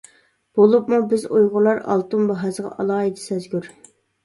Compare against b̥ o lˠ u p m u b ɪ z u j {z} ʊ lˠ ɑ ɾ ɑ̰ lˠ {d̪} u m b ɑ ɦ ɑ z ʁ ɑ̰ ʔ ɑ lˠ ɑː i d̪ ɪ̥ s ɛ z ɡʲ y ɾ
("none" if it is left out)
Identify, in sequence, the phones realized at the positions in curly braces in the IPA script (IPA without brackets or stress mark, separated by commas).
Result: ʁ, t̪